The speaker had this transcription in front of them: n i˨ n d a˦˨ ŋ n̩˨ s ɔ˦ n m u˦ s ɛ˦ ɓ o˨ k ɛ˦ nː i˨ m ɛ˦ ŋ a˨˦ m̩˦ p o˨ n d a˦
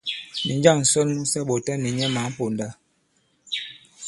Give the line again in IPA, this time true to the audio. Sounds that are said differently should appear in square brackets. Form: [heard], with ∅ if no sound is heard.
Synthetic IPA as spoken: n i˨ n [d͡ʒ] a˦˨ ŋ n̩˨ s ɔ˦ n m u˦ s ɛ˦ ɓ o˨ [t] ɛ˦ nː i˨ [ɲ] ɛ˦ [m] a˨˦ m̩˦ p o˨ n d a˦